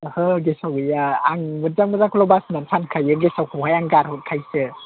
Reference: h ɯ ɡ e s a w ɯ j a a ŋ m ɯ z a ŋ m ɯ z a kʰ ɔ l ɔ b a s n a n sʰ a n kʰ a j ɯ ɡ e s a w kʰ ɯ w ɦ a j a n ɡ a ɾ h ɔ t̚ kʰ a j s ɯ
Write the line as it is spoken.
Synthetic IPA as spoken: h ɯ ɡ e s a w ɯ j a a ŋ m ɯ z a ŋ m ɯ z a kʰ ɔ l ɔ b a s n a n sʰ a n kʰ a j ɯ ɡ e s a w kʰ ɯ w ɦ a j a ŋ ɡ a ɾ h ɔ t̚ kʰ a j s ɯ